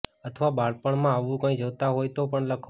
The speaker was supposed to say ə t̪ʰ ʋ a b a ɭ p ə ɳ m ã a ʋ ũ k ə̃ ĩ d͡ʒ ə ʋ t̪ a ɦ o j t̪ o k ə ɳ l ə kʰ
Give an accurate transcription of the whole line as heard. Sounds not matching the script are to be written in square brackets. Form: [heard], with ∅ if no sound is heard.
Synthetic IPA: ə t̪ʰ ʋ a b a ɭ p ə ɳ m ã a ʋ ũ k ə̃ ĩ d͡ʒ ə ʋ t̪ a ɦ o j t̪ o [p] ə ɳ l ə kʰ